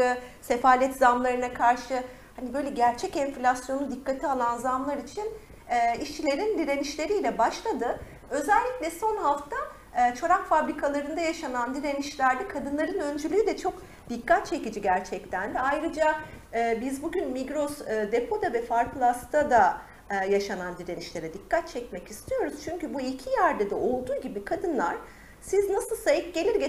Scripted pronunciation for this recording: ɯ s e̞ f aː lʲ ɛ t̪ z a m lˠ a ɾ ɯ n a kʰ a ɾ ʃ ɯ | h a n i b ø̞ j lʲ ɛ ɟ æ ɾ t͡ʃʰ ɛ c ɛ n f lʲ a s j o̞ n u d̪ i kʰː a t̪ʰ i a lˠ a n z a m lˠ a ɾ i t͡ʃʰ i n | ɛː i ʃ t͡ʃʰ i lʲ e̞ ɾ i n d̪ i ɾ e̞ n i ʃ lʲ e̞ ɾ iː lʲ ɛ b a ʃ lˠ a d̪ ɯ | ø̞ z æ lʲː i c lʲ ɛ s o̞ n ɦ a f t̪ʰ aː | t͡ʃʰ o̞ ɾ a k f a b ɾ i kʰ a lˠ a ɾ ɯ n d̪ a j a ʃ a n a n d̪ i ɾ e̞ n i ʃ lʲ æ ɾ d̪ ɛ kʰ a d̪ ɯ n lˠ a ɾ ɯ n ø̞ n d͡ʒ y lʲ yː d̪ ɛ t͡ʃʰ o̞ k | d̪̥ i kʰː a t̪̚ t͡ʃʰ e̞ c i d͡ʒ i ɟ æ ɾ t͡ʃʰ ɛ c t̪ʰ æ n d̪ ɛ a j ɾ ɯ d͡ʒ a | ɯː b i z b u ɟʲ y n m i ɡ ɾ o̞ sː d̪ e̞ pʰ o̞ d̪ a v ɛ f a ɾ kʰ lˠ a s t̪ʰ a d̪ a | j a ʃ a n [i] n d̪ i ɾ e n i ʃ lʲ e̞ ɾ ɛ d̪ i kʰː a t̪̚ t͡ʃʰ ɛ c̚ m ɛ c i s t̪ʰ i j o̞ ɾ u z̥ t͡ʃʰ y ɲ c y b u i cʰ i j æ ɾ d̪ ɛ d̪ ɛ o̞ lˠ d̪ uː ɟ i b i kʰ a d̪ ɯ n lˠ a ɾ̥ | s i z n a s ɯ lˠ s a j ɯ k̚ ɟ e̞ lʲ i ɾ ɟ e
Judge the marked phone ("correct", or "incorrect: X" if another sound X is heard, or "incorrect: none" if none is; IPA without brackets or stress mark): incorrect: a